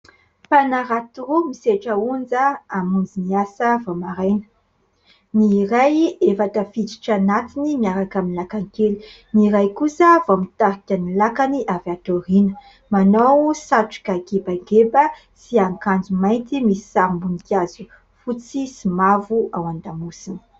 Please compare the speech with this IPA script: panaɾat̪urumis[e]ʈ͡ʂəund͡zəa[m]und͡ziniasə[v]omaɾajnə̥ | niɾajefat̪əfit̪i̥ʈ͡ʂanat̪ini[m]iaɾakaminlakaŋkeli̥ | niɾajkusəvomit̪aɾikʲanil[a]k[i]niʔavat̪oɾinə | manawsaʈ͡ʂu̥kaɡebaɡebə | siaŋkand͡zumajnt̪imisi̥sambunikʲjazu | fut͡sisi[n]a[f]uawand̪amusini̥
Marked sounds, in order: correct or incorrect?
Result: correct, correct, correct, correct, correct, incorrect, incorrect, incorrect

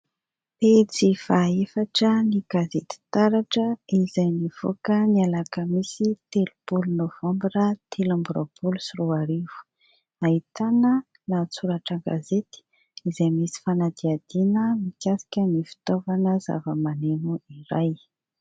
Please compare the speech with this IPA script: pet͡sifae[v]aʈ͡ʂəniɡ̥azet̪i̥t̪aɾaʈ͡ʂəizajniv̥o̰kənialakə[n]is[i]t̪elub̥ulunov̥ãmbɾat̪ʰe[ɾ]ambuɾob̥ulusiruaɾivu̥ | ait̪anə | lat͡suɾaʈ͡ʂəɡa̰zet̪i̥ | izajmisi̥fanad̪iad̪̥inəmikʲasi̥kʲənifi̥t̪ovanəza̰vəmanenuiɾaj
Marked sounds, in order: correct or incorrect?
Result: incorrect, incorrect, correct, incorrect

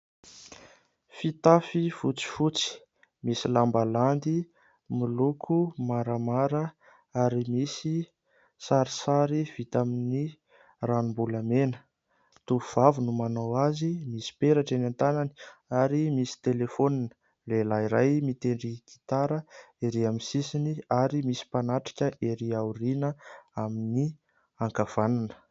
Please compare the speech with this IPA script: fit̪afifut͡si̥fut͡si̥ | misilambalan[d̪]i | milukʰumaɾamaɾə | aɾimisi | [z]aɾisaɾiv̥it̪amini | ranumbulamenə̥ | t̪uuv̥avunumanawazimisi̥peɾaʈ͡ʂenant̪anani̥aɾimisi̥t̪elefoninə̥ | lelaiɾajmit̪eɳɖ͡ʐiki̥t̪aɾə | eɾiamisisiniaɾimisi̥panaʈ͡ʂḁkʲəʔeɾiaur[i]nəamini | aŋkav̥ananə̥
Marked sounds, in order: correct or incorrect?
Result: correct, incorrect, correct

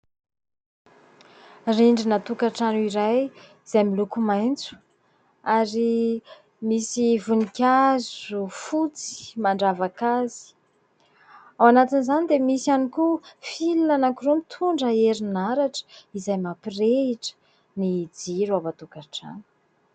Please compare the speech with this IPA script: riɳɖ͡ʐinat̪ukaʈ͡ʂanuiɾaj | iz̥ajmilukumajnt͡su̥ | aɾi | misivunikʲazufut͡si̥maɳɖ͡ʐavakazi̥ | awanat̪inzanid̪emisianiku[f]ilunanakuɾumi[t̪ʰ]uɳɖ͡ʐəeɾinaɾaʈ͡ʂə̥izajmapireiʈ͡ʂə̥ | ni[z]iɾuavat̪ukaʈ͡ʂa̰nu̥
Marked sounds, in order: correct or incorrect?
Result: correct, correct, incorrect

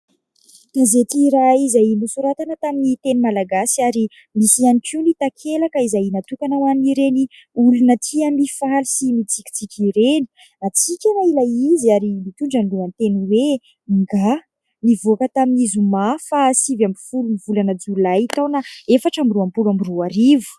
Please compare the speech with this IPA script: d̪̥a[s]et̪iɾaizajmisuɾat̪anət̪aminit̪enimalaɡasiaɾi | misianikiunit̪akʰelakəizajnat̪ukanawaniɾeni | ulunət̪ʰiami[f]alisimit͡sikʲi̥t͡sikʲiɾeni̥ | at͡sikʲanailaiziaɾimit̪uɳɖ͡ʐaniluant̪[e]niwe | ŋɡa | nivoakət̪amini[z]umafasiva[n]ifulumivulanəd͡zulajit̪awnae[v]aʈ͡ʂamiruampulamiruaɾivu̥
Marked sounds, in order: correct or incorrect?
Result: incorrect, correct, correct, correct, incorrect, incorrect

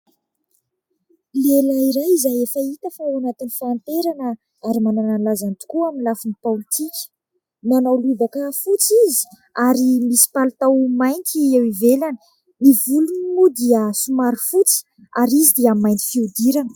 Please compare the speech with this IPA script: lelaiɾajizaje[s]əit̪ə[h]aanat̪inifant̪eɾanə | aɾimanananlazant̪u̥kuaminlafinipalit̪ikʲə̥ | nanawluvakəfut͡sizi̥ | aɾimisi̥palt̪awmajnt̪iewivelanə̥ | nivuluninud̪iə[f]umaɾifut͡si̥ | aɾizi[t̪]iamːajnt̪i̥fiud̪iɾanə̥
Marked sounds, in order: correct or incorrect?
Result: incorrect, incorrect, incorrect, incorrect

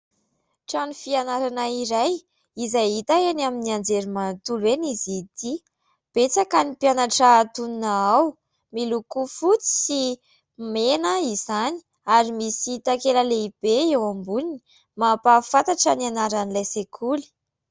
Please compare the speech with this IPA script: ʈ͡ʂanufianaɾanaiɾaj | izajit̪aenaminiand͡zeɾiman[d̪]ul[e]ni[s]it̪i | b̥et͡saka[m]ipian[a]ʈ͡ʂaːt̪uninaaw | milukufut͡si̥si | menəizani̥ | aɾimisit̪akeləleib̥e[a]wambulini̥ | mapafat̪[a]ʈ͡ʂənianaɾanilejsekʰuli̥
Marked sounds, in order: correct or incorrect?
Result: incorrect, correct, incorrect, incorrect, correct, incorrect, correct

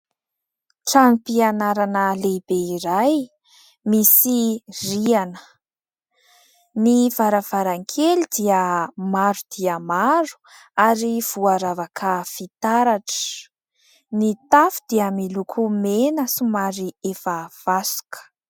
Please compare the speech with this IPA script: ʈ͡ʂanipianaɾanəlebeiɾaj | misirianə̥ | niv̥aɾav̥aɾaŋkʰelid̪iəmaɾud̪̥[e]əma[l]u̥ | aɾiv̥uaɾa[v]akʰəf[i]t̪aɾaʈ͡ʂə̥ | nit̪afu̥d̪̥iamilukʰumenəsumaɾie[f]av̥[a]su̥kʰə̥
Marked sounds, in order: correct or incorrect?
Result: incorrect, incorrect, correct, correct, correct, correct

